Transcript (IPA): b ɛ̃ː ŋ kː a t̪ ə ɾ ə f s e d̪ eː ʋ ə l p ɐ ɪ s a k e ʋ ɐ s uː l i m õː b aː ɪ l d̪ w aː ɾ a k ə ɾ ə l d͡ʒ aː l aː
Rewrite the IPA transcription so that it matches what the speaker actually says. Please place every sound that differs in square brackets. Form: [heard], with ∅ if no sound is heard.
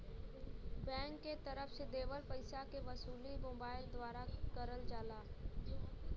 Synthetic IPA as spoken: b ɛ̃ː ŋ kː [e] t̪ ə ɾ ə f s e d̪ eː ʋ ə l p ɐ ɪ s a k e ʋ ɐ s uː l i m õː b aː ɪ l d̪ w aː ɾ a k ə ɾ ə l d͡ʒ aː l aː